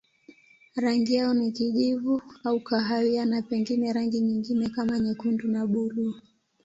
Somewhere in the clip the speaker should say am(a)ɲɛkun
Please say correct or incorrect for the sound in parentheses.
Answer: correct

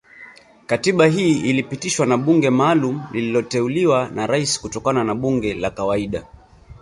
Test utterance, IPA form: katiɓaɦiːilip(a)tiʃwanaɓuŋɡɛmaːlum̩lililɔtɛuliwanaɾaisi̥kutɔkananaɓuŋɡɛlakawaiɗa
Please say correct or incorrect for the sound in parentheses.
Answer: incorrect: i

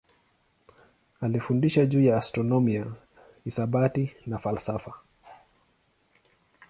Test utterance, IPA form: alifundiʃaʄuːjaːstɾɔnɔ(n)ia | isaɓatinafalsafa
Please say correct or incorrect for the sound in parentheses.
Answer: incorrect: m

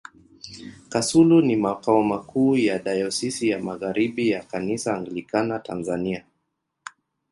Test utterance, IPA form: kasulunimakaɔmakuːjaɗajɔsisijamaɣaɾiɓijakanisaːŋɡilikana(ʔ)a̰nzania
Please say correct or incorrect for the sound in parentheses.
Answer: incorrect: t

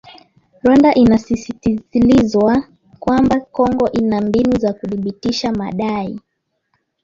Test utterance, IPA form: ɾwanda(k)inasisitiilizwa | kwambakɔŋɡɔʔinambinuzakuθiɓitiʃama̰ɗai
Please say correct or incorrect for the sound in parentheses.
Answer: incorrect: ʔ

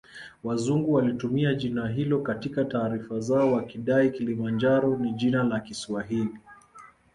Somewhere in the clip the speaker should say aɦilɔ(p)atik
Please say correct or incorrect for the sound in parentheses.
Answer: incorrect: k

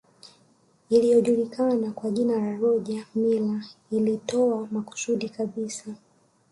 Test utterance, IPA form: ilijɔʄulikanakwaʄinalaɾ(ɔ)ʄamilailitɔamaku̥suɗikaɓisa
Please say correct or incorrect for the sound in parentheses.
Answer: correct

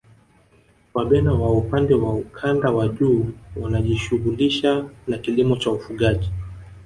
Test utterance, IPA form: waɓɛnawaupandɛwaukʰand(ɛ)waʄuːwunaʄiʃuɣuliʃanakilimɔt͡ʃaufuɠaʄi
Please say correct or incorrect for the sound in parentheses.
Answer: incorrect: a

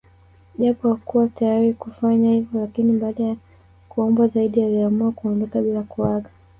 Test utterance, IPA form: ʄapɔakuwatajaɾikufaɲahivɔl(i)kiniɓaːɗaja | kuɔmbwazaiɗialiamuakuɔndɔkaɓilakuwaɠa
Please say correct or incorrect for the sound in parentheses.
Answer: incorrect: a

